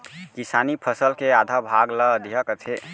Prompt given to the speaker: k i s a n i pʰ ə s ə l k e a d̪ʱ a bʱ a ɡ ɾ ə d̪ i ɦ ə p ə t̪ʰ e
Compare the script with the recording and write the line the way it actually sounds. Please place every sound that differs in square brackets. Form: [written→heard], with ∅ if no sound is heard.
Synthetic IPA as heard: k i s a n i pʰ ə s ə l k e a d̪ʱ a bʱ a ɡ [ɾ→l] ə d̪ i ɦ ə [p→k] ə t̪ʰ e